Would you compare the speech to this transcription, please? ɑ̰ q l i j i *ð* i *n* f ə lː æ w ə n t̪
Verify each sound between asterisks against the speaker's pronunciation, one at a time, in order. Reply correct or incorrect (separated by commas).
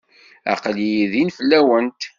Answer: correct, correct